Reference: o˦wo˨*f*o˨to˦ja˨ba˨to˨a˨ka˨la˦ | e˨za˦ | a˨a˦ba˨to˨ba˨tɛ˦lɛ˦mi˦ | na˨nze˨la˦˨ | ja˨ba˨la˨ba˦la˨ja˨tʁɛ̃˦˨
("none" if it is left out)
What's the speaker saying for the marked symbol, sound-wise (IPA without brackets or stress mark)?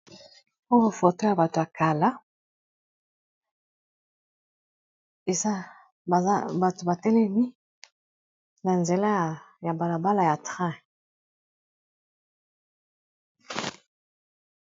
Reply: f